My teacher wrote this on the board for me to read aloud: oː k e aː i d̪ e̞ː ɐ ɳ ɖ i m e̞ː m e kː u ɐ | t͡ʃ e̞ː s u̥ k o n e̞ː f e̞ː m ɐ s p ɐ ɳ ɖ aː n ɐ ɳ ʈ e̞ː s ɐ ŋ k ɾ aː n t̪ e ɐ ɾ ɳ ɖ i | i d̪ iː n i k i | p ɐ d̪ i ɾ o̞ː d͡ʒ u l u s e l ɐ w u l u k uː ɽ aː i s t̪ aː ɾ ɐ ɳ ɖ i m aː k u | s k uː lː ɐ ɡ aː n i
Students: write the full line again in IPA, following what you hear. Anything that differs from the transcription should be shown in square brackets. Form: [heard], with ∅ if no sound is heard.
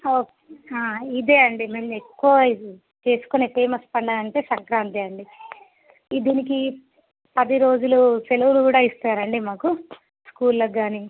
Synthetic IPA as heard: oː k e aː i d̪ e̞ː ɐ ɳ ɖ i m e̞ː m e kː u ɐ | t͡ʃ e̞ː s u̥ k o n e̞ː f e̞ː m ɐ s p ɐ ɳ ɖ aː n ɐ ɳ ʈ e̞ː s ɐ ŋ k ɾ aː n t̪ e ɐ [∅] ɳ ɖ i | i d̪ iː n i k i | p ɐ d̪ i ɾ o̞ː d͡ʒ u l u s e l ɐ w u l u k uː ɽ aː i s t̪ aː ɾ ɐ ɳ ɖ i m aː k u | s k uː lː ɐ ɡ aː n i